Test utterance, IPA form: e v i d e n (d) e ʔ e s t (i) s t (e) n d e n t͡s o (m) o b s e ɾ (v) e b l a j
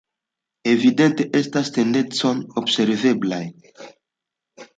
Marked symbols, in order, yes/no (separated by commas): no, no, yes, no, yes